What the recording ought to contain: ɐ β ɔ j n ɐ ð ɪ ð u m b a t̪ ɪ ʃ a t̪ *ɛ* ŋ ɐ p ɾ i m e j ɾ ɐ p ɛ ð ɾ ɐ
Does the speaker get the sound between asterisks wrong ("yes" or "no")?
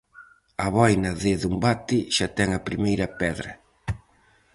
no